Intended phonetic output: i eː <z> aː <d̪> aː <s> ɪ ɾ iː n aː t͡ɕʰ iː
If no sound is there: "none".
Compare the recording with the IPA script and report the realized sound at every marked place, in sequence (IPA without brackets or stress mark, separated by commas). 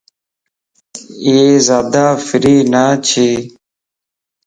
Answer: z, d̪, f